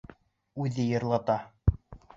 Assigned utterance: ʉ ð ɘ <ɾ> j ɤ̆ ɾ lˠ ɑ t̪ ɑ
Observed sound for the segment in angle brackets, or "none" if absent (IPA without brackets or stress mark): none